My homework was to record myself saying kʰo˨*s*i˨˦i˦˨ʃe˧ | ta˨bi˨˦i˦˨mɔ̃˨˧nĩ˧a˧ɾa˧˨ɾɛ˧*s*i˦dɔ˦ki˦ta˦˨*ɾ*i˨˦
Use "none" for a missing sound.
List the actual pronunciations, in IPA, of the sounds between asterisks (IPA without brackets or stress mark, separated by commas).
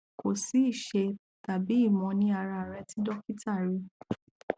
s, t, ɾ